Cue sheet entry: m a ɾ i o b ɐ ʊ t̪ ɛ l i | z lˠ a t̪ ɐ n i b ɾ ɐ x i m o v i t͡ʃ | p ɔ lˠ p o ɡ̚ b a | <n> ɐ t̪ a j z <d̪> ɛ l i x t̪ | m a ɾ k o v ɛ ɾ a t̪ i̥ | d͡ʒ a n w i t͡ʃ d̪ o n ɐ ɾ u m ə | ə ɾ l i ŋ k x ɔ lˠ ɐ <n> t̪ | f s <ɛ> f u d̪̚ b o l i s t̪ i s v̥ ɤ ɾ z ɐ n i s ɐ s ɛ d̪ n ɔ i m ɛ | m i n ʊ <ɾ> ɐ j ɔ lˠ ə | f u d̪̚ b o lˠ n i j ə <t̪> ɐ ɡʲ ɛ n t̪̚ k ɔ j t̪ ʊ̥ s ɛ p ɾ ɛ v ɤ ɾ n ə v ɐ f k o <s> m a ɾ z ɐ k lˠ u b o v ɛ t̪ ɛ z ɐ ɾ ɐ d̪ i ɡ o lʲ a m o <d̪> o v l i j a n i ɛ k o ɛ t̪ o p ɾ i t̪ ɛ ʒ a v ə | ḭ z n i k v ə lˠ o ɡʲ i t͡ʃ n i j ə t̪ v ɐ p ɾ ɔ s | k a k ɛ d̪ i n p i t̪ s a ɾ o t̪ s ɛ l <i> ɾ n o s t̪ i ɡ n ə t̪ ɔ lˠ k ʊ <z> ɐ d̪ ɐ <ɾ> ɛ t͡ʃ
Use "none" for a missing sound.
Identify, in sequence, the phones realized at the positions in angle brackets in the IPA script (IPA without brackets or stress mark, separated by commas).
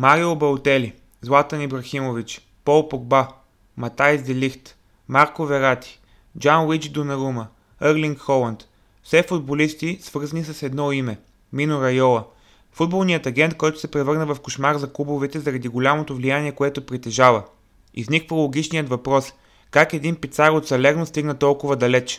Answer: m, d̪, n, ɛ, ɾ, t̪, ʃ, t̪, ɛ, v, l